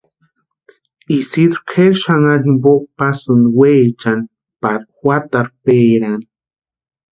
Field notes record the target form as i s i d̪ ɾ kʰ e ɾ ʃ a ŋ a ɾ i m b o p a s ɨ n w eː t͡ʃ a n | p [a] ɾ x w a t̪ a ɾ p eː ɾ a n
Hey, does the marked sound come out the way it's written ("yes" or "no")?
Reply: yes